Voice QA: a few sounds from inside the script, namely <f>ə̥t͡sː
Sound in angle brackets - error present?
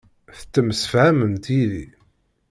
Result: yes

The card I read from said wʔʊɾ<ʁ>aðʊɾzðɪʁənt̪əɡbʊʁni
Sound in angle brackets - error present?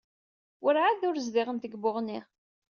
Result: yes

